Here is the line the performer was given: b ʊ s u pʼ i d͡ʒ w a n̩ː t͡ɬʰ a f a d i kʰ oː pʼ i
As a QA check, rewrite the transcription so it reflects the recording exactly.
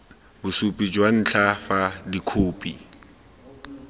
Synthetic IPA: b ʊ s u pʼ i d͡ʒ w a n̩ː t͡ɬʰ a f a d i kʰ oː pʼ i

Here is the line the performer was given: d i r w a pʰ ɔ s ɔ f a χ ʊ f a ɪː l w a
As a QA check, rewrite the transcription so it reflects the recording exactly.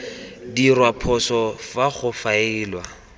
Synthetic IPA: d i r w a pʰ ɔ s ɔ f a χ ʊ f a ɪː l w a

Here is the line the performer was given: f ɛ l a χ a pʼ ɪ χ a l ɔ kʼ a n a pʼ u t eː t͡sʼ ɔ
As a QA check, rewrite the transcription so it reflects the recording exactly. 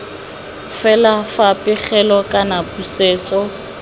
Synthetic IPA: f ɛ l a f a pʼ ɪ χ ɛ l ɔ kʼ a n a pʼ u s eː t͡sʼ ɔ

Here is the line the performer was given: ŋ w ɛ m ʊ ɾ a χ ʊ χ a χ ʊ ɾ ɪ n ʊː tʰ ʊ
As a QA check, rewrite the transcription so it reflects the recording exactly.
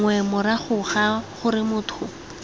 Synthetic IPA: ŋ w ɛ m ʊ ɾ a χ ʊ χ a χ ʊ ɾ ɪ m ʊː tʰ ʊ

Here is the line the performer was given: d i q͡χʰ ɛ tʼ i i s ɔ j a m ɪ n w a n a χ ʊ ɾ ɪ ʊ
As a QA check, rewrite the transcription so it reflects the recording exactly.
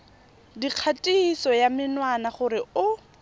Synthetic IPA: d i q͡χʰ a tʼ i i s ɔ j a m ɪ n w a n a χ ʊ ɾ ɪ ʊ

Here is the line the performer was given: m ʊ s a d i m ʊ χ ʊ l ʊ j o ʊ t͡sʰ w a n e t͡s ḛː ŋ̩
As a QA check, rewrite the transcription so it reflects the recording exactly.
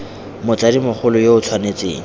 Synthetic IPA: m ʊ t͡s a d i m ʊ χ ʊ l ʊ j o ʊ t͡sʰ w a n e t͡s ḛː ŋ̩

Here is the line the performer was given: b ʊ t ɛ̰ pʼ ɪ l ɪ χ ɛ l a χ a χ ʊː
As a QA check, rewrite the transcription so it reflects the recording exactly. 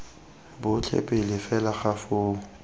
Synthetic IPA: b ʊ t͡ɬʰ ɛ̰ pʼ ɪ l ɪ f ɛ l a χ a f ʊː

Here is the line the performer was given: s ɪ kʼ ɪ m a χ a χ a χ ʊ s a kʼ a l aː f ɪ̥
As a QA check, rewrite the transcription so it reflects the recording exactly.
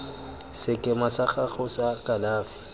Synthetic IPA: s ɪ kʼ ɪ m a s a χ a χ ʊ s a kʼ a l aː f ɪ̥

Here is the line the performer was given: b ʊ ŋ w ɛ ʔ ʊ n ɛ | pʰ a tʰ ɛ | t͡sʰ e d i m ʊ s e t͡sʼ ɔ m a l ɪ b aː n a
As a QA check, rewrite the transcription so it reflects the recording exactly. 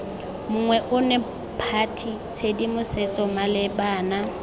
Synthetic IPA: m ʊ ŋ w ɛ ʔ ʊ n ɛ | pʰ a tʰ i | t͡sʰ e d i m ʊ s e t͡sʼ ɔ m a l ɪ b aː n a

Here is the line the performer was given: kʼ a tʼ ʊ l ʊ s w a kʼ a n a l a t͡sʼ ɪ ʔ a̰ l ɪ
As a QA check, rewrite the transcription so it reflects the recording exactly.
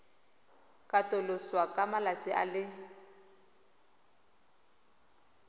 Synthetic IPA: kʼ a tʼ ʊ l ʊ s w a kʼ a m a l a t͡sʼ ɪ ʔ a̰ l ɪ

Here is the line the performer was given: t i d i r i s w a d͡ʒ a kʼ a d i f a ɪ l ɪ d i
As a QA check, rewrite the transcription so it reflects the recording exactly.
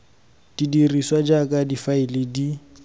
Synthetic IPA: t i d i r i s w a d͡ʒ a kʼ a d i f a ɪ l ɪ d i

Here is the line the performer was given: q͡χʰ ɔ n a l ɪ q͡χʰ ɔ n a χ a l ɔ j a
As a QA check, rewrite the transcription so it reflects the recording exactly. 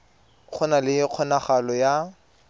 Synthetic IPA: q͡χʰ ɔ n a l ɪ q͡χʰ ɔ n a χ a l ɔ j a

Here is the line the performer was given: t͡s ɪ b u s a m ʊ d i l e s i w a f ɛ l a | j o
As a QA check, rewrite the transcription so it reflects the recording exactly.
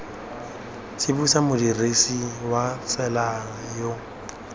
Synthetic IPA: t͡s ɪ b u s a m ʊ d i r e s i w a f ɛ l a | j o

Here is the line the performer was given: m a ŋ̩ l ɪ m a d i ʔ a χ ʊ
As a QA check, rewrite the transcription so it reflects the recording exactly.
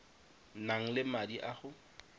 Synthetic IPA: n a ŋ̩ l ɪ m a d i ʔ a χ ʊ

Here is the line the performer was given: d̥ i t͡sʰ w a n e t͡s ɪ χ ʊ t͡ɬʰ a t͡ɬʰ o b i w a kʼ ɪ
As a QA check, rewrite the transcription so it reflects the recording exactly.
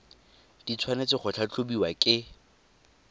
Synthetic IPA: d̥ i t͡sʰ w a n e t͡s ɪ χ ʊ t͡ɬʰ a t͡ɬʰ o b i w a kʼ ɪ

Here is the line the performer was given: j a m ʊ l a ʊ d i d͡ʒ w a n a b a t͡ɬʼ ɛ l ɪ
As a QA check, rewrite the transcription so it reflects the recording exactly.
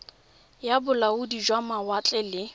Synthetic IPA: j a b ʊ l a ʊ d i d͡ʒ w a m a w a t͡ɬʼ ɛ l ɪ

